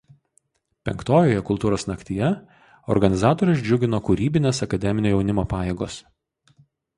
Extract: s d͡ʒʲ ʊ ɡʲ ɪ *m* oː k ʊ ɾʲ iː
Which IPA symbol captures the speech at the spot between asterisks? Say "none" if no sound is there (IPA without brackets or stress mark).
n